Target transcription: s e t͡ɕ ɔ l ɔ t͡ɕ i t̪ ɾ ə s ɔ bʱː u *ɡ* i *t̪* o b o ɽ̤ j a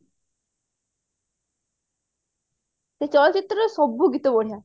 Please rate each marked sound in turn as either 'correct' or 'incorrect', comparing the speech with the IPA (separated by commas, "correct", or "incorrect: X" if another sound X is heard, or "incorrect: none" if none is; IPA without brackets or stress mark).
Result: correct, correct